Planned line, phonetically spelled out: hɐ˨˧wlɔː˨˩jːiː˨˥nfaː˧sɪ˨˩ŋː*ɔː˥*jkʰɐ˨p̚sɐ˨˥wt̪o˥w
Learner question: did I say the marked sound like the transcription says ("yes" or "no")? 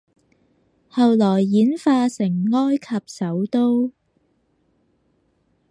yes